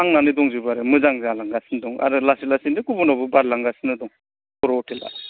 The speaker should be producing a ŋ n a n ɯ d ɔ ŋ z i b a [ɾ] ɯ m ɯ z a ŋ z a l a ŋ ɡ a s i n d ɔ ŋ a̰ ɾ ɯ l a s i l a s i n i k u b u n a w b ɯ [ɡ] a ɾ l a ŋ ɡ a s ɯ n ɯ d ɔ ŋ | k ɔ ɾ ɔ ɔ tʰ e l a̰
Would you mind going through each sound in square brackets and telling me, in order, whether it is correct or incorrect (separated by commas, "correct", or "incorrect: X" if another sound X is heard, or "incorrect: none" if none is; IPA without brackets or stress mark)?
correct, incorrect: b